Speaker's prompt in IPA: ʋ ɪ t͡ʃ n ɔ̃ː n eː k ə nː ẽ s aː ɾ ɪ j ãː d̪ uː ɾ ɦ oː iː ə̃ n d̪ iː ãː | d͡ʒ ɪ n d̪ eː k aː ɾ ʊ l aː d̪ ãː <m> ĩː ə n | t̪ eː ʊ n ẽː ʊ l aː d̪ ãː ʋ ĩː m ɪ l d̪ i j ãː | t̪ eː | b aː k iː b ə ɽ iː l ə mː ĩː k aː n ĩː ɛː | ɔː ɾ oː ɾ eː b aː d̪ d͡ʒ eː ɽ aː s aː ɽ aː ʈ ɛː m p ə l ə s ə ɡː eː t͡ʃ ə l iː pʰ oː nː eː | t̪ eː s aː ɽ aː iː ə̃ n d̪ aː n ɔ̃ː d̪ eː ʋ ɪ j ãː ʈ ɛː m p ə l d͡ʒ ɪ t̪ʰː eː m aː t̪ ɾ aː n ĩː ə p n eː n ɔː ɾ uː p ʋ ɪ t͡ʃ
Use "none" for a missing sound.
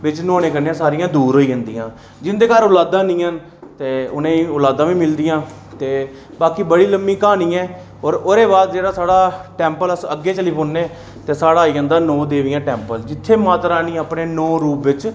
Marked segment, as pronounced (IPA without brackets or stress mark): n